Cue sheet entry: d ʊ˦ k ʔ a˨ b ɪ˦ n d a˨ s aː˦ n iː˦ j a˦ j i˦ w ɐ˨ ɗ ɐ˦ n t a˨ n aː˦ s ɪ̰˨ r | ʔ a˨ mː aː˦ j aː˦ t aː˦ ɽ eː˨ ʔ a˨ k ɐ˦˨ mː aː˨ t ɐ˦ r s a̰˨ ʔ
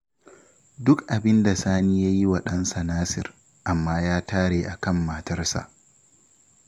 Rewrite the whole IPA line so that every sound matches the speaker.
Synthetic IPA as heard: d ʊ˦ k ʔ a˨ b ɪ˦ n d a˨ s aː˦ n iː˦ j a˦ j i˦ w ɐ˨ ɗ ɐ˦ n s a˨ n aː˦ s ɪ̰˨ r | ʔ a˨ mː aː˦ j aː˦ t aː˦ ɽ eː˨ ʔ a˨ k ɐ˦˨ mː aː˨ t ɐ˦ r s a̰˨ ʔ